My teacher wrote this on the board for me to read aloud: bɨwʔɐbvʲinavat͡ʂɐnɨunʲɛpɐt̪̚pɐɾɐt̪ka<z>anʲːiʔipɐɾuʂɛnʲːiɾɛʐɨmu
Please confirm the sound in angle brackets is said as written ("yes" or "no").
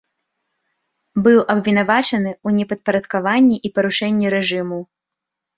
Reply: no